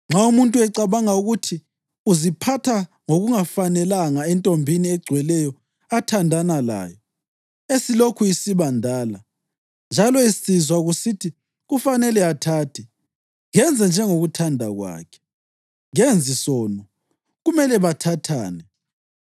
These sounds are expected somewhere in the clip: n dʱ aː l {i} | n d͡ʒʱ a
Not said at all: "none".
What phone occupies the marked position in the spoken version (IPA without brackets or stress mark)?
a